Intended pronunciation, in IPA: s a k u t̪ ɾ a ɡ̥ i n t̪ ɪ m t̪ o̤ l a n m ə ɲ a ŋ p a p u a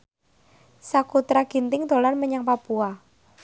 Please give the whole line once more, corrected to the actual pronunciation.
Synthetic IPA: s a k u t̪ ɾ a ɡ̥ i n t̪ ɪ ŋ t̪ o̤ l a n m ə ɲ a ŋ p a p u a

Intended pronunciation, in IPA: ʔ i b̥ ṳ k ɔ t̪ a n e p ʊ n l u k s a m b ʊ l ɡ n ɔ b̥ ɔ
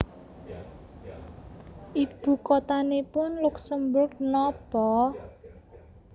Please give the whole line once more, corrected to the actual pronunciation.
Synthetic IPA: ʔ i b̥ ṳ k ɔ t̪ a n e p ʊ n l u k s ə m b ʊ r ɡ n ɔ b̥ ɔ

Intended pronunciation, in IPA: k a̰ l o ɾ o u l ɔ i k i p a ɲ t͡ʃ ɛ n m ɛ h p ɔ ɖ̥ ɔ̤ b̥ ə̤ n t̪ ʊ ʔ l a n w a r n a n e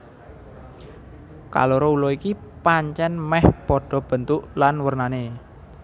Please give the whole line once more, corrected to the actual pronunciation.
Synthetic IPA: k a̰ l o ɾ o u l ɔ i k i p a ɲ t͡ʃ ɛ n m ɛ h p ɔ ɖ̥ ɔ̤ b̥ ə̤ n t̪ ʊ ʔ l a n w ə r n a n e

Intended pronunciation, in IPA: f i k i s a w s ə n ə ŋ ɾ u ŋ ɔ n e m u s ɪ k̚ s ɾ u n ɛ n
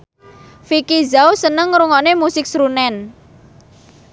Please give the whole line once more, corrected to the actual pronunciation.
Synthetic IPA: f i k i z a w s ə n ə ŋ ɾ u ŋ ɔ n e m u s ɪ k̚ s ɾ u n ɛ n

